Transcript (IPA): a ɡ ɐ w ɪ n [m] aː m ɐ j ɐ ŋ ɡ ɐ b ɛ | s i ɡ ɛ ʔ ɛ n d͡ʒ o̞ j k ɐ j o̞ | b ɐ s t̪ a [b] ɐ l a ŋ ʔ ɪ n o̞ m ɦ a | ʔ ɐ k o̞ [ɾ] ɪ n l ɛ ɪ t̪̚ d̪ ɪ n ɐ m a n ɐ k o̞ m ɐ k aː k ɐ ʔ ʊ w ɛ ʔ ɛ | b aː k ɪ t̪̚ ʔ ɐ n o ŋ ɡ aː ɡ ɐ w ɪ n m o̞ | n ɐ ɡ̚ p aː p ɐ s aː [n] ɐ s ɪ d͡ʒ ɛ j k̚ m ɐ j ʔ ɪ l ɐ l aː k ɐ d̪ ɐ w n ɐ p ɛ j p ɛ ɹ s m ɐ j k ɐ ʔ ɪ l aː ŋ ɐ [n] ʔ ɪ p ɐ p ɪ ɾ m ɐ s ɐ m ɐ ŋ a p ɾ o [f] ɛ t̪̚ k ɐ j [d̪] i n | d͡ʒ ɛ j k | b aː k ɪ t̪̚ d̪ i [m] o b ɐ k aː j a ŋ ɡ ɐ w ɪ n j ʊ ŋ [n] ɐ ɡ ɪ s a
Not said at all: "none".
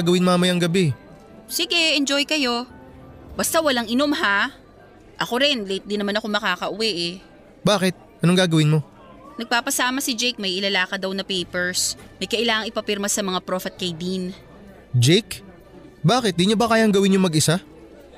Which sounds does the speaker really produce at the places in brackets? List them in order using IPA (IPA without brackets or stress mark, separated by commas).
m, w, ɾ, m, ŋ, f, d̪, ɲ, m